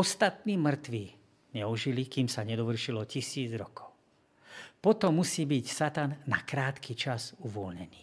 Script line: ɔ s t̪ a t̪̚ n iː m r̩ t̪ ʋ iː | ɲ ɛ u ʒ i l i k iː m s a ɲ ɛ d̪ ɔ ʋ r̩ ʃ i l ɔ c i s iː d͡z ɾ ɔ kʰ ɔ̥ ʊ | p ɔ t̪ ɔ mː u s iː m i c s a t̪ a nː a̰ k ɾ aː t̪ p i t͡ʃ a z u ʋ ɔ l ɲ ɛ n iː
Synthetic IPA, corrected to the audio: ɔ s t̪ a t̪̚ n iː m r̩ t̪ ʋ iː | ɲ ɛ u ʒ i l i k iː m s a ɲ ɛ d̪ ɔ ʋ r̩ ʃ i l ɔ c i s iː d͡z ɾ ɔ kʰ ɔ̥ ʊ | p ɔ t̪ ɔ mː u s iː b i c s a t̪ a nː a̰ k ɾ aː t̪ k i t͡ʃ a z u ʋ ɔ l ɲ ɛ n iː